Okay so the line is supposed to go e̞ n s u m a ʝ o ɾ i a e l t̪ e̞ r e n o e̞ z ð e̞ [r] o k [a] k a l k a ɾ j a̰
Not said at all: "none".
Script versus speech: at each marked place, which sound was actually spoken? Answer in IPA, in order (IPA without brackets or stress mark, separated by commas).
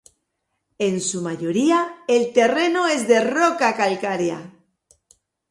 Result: r, a